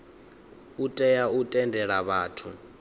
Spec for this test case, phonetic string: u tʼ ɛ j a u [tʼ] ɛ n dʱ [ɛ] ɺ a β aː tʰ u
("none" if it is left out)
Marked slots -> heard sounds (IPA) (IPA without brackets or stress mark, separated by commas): tʼ, ɛ